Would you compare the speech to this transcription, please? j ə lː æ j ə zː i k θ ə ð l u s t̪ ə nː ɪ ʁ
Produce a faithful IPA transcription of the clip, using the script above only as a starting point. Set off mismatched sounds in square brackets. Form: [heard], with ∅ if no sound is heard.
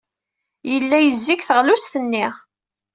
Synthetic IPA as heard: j ə lː æ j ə zː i k θ ə [ʁ] l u s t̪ ə nː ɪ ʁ